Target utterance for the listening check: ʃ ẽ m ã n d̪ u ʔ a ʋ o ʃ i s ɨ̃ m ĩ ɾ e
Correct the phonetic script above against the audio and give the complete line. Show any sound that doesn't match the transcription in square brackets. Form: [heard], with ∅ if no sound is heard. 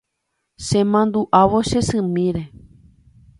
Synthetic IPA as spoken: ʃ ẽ m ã n d̪ u ʔ a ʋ o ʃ [e] s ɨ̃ m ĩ ɾ e